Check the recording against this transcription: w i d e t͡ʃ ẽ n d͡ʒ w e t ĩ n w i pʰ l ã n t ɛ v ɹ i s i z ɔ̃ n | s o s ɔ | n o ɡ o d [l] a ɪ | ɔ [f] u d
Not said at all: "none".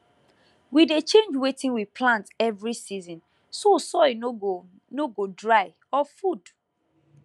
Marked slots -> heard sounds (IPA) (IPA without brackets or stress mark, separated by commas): ɹ, f